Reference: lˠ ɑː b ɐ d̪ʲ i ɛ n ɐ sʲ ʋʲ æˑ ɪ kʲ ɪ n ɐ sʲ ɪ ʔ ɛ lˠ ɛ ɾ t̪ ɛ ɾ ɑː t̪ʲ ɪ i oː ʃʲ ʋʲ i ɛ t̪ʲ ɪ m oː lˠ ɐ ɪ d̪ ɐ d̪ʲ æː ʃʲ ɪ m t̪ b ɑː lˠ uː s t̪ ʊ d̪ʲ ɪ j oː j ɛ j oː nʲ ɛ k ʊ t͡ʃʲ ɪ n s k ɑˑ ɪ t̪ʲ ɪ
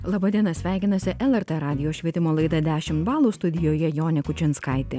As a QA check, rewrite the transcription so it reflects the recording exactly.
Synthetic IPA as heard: lˠ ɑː b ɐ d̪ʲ i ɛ n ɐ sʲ ʋʲ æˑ ɪ kʲ ɪ n ɐ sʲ ɪ ʔ ɛ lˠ ɛ ɾ t̪ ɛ ɾ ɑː d̪ʲ ɪ j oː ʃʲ ʋʲ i ɛ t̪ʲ ɪ m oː lˠ ɐ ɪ d̪ ɐ d̪ʲ æː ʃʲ ɪ m t̪ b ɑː lˠ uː s t̪ ʊ d̪ʲ ɪ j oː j ɛ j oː nʲ ɛ k ʊ t͡ʃʲ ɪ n s k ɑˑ ɪ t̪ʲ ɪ